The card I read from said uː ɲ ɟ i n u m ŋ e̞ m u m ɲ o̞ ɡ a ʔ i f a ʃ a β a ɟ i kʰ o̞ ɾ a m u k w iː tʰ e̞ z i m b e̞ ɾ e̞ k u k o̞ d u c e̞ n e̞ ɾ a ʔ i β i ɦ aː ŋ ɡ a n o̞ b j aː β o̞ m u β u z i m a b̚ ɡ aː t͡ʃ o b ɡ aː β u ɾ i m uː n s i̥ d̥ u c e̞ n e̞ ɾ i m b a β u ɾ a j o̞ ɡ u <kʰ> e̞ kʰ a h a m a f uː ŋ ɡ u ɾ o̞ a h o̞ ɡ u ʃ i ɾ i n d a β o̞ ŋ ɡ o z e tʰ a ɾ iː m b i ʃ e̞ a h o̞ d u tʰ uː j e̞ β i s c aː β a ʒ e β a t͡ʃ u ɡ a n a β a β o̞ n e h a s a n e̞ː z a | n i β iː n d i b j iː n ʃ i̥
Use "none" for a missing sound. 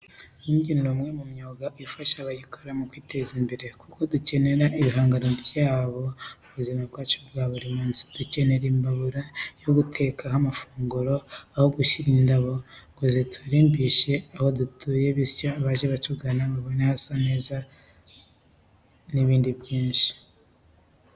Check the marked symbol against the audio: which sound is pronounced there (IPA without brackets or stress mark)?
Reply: tʰ